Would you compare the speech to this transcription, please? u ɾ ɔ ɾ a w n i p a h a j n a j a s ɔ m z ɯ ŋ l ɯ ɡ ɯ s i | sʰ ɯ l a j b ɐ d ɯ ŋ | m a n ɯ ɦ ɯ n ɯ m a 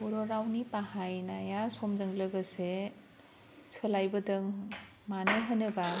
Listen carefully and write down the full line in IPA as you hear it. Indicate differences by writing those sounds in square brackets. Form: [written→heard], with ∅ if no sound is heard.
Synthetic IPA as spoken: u ɾ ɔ ɾ a w n i p a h a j n a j a s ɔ m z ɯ ŋ l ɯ ɡ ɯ s [i→e] | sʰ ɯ l a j b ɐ d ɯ ŋ | m a n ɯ ɦ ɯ n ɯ [m→b] a